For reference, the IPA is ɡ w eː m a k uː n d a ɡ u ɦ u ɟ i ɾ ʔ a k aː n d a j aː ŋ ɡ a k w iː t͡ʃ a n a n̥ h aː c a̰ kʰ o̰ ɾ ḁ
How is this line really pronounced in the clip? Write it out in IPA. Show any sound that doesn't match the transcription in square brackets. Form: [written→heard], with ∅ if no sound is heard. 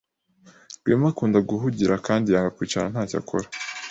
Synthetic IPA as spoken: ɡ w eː m a k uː n d a ɡ u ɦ u ɟ i ɾ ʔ a k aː n d [a→i] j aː ŋ ɡ a k w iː t͡ʃ a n a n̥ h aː c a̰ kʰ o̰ ɾ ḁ